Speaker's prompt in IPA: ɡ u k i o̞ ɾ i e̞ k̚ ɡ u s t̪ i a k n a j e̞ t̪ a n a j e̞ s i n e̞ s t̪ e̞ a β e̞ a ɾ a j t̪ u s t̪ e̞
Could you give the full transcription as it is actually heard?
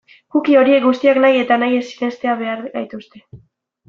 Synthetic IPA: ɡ u k i o̞ ɾ i e̞ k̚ ɡ u s t̪ i a k n a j e̞ t̪ a n a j e̞ s i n e̞ s t̪ e̞ a β e̞ a ɾ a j t̪ u s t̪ e̞